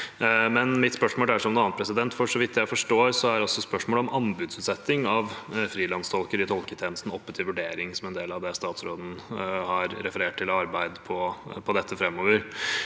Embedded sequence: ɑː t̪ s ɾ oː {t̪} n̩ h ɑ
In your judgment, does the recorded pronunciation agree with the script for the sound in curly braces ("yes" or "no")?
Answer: no